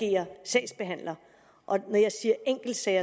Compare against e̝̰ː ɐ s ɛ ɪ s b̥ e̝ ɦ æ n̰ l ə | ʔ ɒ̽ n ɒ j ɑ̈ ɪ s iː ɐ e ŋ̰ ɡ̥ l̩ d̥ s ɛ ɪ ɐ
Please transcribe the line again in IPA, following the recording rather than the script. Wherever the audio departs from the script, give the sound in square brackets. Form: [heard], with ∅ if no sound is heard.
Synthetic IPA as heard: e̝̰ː ɐ s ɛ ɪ s b̥ e̝ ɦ æ n̰ l [ɐ] | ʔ ɒ̽ n ɒ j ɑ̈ ɪ s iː ɐ e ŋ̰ ɡ̥ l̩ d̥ s ɛ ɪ ɐ

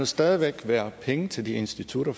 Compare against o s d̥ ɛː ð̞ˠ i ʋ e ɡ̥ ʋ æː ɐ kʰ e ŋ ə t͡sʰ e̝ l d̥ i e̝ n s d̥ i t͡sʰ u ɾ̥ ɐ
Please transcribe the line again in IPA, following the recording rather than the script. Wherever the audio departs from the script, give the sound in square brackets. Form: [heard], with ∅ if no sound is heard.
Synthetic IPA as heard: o s d̥ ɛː ð̞ˠ i ʋ e ɡ̥ ʋ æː ɐ [pʰ] e ŋ ə t͡sʰ e̝ l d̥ i e̝ n s d̥ i t͡sʰ u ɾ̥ ɐ

